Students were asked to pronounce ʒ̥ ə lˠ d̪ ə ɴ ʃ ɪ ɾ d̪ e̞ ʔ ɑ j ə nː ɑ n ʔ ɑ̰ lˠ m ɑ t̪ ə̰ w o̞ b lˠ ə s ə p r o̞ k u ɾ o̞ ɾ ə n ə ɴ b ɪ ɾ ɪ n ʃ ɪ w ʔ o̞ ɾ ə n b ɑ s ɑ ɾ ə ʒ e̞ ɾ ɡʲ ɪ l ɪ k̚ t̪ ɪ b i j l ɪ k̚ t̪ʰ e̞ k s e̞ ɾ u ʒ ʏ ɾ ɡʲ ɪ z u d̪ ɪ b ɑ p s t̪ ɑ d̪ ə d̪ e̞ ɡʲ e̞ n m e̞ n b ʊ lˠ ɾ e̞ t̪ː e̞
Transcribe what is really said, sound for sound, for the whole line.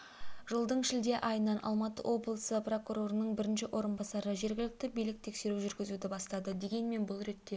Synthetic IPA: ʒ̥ ə lˠ d̪ ə ɴ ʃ ɪ l d̪ e̞ ʔ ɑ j ə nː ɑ n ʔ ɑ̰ lˠ m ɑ t̪ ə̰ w o̞ b lˠ ə s ə p r o̞ k u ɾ o̞ ɾ ə n ə ɴ b ɪ ɾ ɪ n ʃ ɪ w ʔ o̞ ɾ ə n b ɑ s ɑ ɾ ə ʒ e̞ ɾ ɡʲ ɪ l ɪ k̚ t̪ ɪ b i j l ɪ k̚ t̪ʰ e̞ k s e̞ ɾ u ʒ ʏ ɾ ɡʲ ɪ z u d̪ ɪ b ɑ s t̪ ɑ d̪ ə d̪ e̞ ɡʲ e̞ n m e̞ n b ʊ lˠ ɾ e̞ t̪ː e̞

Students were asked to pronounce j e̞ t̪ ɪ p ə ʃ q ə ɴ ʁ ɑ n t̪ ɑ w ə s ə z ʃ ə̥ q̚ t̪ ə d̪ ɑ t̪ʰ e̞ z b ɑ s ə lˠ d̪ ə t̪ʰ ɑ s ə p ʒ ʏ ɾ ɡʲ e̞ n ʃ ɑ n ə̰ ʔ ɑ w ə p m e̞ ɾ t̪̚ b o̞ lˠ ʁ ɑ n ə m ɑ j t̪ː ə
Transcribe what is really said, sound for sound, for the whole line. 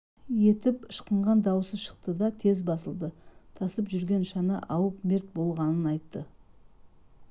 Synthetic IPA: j e̞ t̪ ɪ p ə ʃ q ə ɴ ʁ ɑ n d̪ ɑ w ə s ə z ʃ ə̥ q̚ t̪ ə d̪ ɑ t̪ʰ e̞ z b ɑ s ə lˠ d̪ ə t̪ʰ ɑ s ə p ʒ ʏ ɾ ɡʲ e̞ n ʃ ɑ n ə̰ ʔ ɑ w ə p m e̞ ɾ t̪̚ b o̞ lˠ ʁ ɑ n ə n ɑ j t̪ː ə

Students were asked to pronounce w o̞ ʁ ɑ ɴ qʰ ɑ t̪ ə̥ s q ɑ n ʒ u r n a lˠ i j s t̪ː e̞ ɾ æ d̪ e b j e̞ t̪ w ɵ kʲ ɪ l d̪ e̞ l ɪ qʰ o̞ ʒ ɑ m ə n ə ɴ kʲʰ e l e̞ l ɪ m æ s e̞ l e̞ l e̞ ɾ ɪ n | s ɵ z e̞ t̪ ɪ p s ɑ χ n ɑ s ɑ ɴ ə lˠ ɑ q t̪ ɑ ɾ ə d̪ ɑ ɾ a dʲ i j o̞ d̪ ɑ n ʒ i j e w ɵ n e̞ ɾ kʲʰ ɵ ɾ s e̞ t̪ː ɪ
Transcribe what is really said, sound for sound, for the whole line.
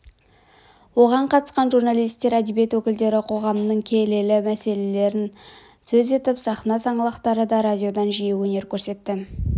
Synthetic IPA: w o̞ ʁ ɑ ɴ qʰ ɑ t̪ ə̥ s q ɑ n ʒ u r n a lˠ i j s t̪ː e̞ ɾ æ d̪ e b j e̞ t̪ w ɵ kʲ ɪ l d̪ e̞ ɾ ɪ qʰ o̞ ʁ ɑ m ə n ə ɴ kʲʰ e l e̞ l ɪ m æ s e̞ l e̞ l e̞ ɾ ɪ n | s ɵ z e̞ t̪ ɪ p s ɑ χ n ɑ s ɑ ɴ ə lˠ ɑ q t̪ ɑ ɾ ə d̪ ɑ ɾ a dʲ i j o̞ d̪ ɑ n ʒ i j e w ɵ n e̞ ɾ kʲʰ ɵ ɾ s e̞ t̪ː ɪ

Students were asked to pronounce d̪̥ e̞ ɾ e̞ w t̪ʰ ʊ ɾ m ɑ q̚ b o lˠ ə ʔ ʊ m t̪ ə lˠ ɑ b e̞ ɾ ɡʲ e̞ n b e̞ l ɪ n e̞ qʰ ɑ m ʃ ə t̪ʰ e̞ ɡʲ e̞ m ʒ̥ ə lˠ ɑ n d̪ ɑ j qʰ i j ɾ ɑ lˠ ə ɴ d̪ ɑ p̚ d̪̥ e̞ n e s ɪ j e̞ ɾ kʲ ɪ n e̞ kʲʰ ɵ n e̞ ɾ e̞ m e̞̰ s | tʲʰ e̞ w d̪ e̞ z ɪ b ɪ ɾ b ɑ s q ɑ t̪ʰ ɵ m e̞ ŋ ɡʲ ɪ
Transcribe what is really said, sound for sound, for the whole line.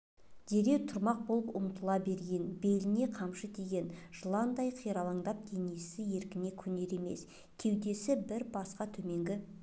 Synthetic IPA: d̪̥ e̞ ɾ e̞ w t̪ʰ ʊ ɾ m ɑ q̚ b o lˠ ə p ʊ m t̪ ə lˠ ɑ b e̞ ɾ ɡʲ e̞ n b e̞ l ɪ n e̞ qʰ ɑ m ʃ ə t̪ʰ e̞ ɡʲ e̞ n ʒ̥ ə lˠ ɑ n d̪ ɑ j qʰ i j ɾ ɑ lˠ ɑ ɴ d̪ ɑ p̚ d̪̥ e̞ n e s ɪ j e̞ ɾ kʲ ɪ n e̞ kʲʰ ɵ n e̞ ɾ e̞ m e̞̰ s | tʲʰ e̞ w d̪ e̞ s ɪ b ɪ ɾ b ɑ s q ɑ t̪ʰ ɵ m e̞ ŋ ɡʲ ɪ

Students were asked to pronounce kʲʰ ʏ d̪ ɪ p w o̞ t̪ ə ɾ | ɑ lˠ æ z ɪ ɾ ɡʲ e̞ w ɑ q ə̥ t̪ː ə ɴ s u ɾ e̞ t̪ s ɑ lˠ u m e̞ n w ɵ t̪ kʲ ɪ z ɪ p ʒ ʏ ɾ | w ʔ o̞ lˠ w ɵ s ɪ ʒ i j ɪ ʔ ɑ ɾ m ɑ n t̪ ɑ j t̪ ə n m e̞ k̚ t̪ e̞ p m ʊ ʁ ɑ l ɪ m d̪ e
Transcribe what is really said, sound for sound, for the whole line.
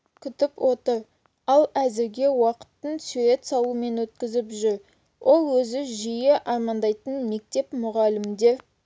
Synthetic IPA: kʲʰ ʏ t̪ ɪ p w o̞ t̪ ə ɾ | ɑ lˠ æ z ɪ ɾ ɡʲ e̞ w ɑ q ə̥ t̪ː ə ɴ s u ɾ e̞ t̪ s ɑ lˠ u m e̞ n w ɵ t̪ kʲ ɪ z ɪ p ʒ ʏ ɾ | w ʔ o̞ lˠ w ɵ z ɪ ʒ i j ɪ ʔ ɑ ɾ m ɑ n d̪ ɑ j t̪ ə n m e̞ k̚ t̪ e̞ p m ʊ ʁ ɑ l ɪ m d̪ e

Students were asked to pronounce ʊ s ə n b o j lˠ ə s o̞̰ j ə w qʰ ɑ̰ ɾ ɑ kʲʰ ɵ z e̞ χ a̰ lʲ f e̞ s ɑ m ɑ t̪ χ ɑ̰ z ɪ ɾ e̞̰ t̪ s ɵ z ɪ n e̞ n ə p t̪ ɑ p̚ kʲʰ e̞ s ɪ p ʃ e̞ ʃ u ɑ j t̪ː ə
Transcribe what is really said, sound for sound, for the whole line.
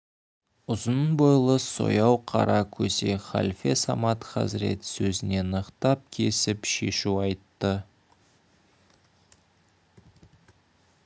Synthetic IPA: ʊ z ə n b o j lˠ ə s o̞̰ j ɑ w qʰ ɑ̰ ɾ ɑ kʲʰ ɵ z e̞ χ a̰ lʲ f e̞ s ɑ m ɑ t̪ χ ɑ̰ z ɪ ɾ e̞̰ t̪ s ɵ z ɪ n e̞ n ə q t̪ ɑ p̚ kʲʰ e̞ s ɪ p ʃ e̞ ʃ u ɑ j t̪ː ə

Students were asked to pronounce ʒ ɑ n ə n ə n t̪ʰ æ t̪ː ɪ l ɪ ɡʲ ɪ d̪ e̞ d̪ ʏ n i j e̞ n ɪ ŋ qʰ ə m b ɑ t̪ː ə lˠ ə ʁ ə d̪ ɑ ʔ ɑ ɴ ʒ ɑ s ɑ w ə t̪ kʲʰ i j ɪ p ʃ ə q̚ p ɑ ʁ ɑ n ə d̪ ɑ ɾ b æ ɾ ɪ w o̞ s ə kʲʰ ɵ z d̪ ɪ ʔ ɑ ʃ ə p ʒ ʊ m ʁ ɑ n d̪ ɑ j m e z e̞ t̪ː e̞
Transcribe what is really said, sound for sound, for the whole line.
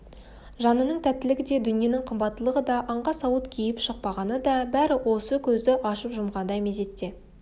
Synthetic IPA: ʒ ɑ n ə n ə ɴ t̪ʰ æ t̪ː ɪ l ɪ ɡʲ ɪ d̪ e̞ d̪ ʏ n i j e̞ n ɪ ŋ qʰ ə m b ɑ t̪ː ə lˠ ə ʁ ə d̪ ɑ ʔ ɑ ɴ ʁ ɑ s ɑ w ə t̪ kʲʰ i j ɪ p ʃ ə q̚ p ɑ ʁ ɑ n ə d̪ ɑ b æ ɾ ɪ w o̞ s ə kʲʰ ɵ z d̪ ɪ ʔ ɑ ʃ ə p ʒ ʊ m ʁ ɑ n d̪ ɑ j m e z e̞ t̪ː e̞

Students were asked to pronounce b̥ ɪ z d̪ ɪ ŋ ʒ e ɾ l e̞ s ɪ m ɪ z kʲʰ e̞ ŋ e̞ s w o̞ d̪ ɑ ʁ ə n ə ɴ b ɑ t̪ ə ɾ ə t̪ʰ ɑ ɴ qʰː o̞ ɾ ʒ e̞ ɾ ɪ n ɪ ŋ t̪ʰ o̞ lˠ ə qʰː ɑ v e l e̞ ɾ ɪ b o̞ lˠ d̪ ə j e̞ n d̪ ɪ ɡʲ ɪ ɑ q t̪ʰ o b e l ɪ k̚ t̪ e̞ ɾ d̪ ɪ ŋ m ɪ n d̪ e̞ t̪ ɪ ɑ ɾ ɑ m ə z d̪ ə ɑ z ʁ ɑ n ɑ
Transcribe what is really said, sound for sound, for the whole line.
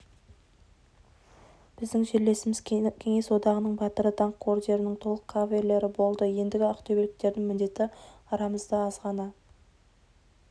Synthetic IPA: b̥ ɪ z d̪ ɪ ŋ ʒ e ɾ l e̞ s ɪ m ɪ z kʲʰ e̞ ŋ e̞ s w o̞ d̪ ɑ ʁ ə n ə ɴ b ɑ t̪ ə ɾ ə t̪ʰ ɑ ɴ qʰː o̞ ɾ ʒ e̞ ɾ ɪ n ɪ ŋ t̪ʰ o̞ lˠ ə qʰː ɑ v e l e̞ ɾ ɪ b o̞ lˠ d̪ ə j e̞ n d̪ ɪ ɡʲ ɪ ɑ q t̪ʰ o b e l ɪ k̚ t̪ e̞ ɾ d̪ ɪ ŋ m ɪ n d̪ e̞ t̪ ɪ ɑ ɾ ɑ m ə z d̪ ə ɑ z ʁ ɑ n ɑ

